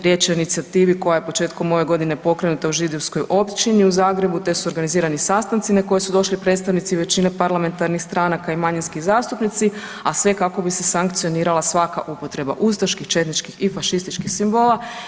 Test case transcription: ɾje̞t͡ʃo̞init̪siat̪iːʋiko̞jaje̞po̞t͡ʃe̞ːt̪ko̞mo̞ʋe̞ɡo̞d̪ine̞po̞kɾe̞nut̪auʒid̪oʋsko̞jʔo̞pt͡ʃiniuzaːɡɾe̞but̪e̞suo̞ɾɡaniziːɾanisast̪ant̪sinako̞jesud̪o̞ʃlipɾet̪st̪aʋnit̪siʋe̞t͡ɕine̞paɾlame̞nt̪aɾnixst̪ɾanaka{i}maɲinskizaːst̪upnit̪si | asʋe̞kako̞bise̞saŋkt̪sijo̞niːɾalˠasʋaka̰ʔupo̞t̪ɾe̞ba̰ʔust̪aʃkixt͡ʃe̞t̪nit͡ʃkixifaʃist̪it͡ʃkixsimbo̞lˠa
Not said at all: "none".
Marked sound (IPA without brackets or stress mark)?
i